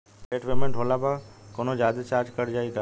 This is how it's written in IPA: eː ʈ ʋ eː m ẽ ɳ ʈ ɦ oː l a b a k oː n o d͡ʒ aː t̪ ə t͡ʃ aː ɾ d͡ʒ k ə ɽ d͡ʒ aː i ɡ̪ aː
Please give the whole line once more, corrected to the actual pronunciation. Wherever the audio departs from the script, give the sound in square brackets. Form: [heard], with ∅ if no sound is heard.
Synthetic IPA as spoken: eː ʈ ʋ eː m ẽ ɳ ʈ ɦ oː l a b a k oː n o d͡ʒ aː [d̪] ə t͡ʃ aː ɾ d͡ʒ k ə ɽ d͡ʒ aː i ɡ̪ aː